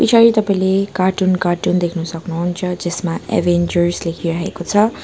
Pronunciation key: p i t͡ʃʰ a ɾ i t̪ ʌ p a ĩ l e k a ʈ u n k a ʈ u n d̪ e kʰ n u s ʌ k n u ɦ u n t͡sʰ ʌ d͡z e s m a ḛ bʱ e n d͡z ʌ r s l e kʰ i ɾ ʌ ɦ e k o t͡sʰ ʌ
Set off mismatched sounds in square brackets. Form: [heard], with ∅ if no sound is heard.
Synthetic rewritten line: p i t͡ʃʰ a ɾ i t̪ ʌ p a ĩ l e k a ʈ u n k a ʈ u n d̪ e kʰ n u s ʌ k n u ɦ u n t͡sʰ ʌ d͡z e s m a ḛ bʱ e n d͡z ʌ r s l e kʰ i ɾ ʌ ɦ e k o t͡sʰ ʌ